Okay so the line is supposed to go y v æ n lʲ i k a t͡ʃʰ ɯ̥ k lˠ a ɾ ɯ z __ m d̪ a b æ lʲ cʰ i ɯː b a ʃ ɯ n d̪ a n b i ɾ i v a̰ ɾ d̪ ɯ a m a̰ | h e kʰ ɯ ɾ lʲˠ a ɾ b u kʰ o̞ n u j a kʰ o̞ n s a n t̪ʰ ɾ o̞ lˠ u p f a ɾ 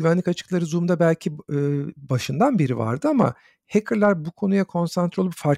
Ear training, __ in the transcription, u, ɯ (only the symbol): u